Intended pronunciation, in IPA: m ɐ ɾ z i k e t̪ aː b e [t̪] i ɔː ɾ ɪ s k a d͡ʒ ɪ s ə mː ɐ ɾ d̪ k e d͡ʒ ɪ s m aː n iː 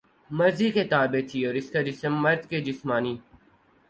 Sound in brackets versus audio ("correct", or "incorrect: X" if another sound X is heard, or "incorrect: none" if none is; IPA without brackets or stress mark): incorrect: t̪ʰ